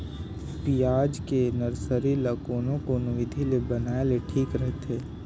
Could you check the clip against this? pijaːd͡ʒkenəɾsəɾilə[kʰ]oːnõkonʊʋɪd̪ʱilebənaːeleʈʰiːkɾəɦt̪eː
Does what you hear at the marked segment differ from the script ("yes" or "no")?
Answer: yes